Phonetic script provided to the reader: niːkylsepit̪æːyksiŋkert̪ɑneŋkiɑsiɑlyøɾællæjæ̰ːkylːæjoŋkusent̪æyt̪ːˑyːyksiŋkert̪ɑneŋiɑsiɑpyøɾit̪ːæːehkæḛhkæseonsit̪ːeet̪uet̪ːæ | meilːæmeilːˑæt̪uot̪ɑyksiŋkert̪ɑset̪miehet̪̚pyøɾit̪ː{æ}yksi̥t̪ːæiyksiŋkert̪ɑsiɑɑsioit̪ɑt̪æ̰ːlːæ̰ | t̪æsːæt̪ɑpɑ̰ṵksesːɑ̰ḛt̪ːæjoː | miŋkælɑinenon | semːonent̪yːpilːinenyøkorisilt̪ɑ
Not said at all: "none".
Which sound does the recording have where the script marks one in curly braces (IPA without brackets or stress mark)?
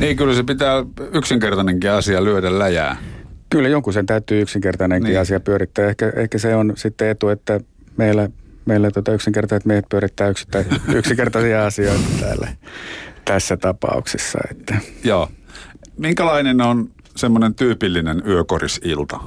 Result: æː